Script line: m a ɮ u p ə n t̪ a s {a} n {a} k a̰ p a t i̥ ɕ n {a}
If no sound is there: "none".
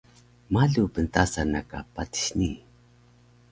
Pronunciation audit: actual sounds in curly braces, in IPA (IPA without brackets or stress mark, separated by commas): a, a, i